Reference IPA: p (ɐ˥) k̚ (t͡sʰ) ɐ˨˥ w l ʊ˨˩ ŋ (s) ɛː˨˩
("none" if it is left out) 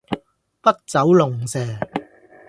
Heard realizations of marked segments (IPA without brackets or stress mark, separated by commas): ɐ˥, t͡s, s